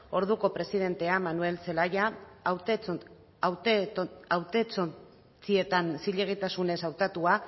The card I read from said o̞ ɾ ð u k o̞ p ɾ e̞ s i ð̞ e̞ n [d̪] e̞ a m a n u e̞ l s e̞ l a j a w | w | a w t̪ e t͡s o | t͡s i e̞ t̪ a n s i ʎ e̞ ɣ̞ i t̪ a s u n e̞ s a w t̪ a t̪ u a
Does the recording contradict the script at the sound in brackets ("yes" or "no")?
yes